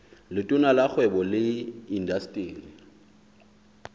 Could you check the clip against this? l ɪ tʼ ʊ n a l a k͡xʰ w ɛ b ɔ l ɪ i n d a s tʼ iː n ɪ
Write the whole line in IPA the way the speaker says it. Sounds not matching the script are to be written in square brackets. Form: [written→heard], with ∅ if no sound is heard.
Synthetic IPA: l ɪ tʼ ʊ n a l a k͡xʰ w ɛ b ɔ l ɪ i n d a s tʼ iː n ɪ